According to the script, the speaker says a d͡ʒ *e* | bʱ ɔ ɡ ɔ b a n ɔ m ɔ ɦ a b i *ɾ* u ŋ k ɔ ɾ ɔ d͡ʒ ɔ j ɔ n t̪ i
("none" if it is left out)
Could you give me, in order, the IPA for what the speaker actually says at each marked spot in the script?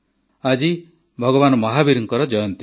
i, ɾ

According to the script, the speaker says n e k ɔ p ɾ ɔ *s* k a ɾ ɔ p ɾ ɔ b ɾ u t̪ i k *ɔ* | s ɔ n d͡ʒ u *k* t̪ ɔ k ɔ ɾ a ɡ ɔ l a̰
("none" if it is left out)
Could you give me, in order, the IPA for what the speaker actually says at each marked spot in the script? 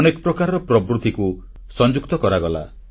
none, u, k

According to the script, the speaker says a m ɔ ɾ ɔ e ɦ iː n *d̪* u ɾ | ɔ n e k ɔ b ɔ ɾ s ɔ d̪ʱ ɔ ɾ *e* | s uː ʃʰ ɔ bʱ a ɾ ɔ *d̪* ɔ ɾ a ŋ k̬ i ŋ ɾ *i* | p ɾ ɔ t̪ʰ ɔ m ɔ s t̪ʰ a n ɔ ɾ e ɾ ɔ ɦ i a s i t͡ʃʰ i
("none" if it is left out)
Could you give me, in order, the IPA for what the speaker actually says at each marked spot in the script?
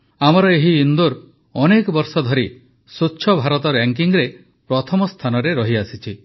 d̪, i, t̪, e

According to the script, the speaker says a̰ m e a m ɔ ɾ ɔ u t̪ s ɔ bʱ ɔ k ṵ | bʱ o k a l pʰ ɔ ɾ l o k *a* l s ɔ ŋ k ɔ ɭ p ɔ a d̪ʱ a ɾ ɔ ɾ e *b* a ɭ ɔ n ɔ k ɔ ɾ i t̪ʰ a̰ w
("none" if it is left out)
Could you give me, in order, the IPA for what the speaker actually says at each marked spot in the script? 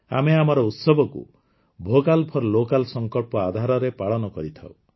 a, p

